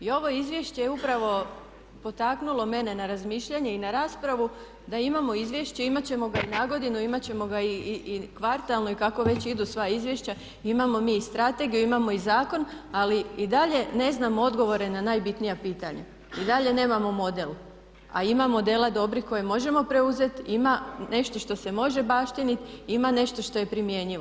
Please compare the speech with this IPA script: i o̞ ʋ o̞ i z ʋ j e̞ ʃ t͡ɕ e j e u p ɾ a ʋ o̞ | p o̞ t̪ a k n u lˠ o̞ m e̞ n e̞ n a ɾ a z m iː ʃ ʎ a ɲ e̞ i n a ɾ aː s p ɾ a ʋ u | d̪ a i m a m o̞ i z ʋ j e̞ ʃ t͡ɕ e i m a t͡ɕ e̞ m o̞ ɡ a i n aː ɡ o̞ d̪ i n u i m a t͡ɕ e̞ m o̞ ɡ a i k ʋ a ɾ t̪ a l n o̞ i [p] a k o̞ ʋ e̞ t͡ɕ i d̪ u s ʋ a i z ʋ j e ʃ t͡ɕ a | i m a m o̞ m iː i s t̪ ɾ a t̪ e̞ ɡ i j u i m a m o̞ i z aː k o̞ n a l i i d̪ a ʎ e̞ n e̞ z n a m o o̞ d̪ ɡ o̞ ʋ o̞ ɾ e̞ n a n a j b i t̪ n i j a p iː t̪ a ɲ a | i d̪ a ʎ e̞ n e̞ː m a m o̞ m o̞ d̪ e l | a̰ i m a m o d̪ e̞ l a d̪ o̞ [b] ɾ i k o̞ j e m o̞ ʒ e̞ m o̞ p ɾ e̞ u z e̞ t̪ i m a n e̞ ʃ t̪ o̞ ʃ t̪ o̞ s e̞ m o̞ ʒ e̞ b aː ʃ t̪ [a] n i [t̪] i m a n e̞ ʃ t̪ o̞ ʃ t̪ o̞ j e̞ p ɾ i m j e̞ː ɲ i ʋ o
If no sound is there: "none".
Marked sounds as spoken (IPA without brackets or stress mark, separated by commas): k, b, i, t̪